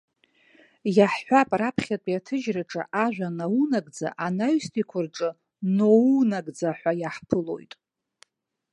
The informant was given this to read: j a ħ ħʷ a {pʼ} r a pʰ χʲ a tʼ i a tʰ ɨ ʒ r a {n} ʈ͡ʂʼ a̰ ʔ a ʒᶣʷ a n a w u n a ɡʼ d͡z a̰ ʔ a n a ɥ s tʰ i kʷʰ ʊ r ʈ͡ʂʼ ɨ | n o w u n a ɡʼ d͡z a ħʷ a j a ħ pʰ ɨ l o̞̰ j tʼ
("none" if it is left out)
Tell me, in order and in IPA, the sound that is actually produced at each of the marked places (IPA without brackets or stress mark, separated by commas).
pʼ, none